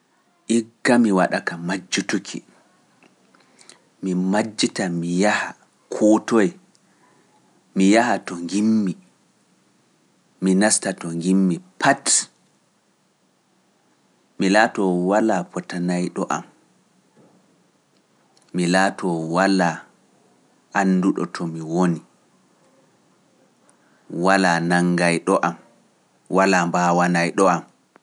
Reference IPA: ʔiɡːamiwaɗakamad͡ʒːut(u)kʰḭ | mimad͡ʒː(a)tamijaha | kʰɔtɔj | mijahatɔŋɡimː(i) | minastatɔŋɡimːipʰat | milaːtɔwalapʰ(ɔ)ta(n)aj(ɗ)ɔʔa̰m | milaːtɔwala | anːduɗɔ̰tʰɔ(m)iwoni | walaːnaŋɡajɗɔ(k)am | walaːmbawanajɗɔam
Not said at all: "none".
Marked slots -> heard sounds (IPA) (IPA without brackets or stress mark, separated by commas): u, i, i, ɔ, n, ɗ, m, ʔ